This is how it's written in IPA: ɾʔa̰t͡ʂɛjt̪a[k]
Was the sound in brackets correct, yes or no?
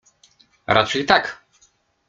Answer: yes